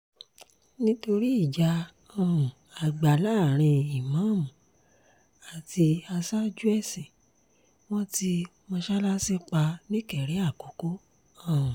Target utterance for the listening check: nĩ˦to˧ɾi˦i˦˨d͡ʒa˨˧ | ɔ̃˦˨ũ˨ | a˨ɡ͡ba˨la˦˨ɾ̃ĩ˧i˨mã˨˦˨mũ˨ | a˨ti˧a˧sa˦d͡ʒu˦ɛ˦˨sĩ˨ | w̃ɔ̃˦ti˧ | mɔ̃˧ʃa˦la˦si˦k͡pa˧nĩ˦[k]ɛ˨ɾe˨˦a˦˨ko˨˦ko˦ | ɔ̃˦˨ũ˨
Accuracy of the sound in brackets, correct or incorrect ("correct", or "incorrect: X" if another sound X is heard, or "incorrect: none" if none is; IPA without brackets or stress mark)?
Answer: correct